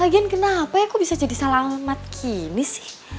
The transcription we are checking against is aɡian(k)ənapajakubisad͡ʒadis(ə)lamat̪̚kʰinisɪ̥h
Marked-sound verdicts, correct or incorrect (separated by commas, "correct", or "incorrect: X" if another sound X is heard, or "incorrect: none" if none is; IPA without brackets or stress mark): correct, incorrect: a